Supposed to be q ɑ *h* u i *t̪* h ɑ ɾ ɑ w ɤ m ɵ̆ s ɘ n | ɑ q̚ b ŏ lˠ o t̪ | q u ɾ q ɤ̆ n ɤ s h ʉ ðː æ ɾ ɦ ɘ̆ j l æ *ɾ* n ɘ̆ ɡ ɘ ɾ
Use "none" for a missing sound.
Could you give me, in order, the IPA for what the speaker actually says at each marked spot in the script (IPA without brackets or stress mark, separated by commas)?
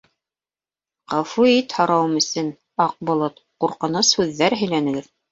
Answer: f, t̪, none